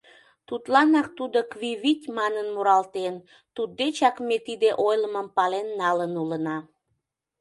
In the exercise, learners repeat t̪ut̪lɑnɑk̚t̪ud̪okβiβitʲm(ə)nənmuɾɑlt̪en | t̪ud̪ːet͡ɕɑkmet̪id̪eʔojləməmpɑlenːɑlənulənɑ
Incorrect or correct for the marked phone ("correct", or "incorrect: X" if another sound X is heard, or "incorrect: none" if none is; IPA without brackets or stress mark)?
incorrect: ɑ